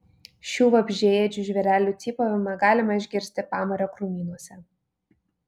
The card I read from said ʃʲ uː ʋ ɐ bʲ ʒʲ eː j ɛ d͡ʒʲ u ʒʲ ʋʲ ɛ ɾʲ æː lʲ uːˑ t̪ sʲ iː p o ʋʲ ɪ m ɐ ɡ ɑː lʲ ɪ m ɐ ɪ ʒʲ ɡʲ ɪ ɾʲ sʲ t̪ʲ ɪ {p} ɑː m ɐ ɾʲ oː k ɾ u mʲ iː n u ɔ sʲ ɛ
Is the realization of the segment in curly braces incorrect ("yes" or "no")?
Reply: no